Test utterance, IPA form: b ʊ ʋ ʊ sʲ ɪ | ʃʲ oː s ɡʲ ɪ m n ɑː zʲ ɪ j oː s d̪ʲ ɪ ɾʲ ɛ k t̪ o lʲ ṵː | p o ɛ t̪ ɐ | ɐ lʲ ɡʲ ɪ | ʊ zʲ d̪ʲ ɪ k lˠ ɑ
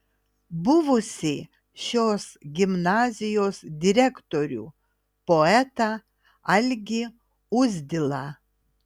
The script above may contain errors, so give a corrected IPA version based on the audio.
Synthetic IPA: b ʊ ʋ ʊ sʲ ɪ | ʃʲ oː s ɡʲ ɪ m n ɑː zʲ ɪ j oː s d̪ʲ ɪ ɾʲ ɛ k t̪ o ɾʲ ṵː | p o ɛ t̪ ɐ | ɐ lʲ ɡʲ ɪ | ʊ zʲ d̪ʲ ɪ lˠ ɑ